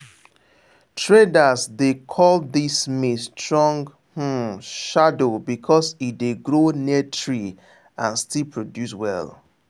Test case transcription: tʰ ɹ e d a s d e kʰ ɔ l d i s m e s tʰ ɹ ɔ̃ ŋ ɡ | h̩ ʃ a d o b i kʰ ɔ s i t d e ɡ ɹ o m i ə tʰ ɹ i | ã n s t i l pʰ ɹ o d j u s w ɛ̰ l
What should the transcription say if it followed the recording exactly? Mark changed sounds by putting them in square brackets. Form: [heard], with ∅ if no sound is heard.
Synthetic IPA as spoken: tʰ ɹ e d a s d e kʰ ɔ l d i s m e s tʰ ɹ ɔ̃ ŋ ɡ | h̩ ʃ a d o b i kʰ ɔ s i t d e ɡ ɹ o [n] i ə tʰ ɹ i | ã n s t i l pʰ ɹ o d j u s w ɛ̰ l